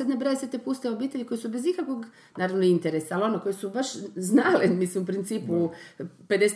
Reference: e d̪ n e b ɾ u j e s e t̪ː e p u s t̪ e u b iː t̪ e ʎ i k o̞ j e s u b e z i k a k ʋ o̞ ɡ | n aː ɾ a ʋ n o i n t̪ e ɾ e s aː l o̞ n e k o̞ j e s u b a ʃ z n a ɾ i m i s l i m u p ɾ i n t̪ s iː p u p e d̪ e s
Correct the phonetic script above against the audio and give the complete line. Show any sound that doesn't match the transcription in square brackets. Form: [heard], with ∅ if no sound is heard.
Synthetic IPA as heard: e d̪ n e b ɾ [o] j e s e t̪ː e p u s t̪ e [o] b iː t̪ e ʎ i k o̞ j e s u b e z i k a k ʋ o̞ ɡ | n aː ɾ a ʋ n o i n t̪ e ɾ e s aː l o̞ n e k o̞ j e s u b a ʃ z n a [l] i m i s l i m u p ɾ i n t̪ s iː p u p e d̪ e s